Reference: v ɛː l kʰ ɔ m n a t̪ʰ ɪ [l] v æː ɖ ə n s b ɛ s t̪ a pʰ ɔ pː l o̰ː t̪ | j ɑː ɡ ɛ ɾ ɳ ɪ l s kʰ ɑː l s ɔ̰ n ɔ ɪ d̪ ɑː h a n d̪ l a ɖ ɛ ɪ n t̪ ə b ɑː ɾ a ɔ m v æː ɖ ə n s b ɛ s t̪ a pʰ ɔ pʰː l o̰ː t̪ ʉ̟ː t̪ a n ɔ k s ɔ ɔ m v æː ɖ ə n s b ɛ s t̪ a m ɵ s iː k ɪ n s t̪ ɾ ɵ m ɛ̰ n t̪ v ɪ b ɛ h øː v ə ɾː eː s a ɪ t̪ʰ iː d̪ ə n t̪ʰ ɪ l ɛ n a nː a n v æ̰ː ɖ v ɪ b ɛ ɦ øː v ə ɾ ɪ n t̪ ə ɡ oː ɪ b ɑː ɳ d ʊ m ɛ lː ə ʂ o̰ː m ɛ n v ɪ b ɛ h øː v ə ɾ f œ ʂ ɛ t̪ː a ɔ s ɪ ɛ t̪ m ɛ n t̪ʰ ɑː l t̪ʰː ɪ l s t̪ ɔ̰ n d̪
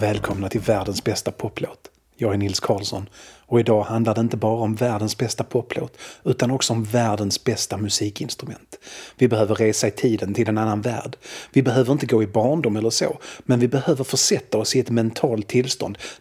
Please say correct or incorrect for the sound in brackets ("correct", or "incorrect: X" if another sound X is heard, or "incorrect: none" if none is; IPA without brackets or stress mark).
correct